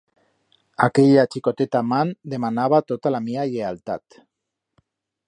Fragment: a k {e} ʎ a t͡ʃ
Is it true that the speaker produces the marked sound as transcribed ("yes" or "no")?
yes